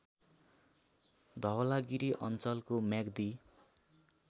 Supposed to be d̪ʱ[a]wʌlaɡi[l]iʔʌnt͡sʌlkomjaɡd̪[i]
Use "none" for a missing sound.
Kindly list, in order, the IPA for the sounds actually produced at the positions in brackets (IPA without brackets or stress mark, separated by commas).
ʌ, ɾ, i